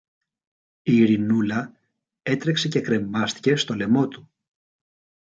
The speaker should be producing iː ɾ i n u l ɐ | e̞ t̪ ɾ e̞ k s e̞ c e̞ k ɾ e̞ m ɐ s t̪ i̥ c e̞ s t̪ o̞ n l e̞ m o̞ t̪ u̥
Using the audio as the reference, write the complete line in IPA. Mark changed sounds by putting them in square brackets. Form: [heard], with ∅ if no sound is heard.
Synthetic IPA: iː ɾ i n u l ɐ | e̞ t̪ ɾ e̞ k s e̞ c e̞ k ɾ e̞ m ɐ s t̪ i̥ c e̞ s t̪ o̞ [∅] l e̞ m o̞ t̪ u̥